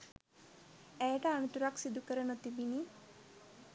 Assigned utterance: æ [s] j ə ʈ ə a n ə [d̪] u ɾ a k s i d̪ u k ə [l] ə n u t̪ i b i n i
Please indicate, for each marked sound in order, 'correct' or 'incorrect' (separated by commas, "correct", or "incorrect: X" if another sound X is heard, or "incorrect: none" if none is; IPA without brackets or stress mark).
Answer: incorrect: none, incorrect: t̪, incorrect: ɾ